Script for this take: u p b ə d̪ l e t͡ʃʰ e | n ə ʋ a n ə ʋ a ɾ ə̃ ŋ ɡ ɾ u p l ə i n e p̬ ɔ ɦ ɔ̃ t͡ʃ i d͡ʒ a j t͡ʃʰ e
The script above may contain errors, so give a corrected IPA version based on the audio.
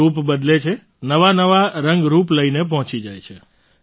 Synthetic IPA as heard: u p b ə d̪ l e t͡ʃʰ e | n ə ʋ a n ə ʋ a ɾ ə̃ ŋ ɡ ɾ u p l ə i n e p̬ ɔ ɦ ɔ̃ t͡ʃ i d͡ʒ a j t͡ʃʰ e